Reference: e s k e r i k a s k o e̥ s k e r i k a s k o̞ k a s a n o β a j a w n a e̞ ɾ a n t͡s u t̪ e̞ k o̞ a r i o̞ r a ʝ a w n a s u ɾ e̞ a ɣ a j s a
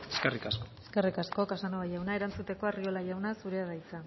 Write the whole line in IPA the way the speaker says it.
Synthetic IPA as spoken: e s k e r i k a s k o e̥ s k e r i k a s k o̞ k a s a n o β a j a w n a e̞ ɾ a n t͡s u t̪ e̞ k o̞ a r i o̞ l a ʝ a w n a s u ɾ e̞ a ð a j t͡s a